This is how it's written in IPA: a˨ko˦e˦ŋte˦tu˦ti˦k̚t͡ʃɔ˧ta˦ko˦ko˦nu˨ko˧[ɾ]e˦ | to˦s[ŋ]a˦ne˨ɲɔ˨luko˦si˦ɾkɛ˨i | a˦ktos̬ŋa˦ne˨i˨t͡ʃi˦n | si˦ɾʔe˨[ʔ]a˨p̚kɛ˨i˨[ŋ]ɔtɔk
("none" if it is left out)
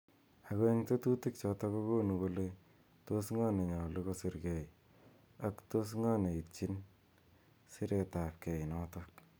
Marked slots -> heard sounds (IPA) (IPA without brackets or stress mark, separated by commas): l, ŋ, t, n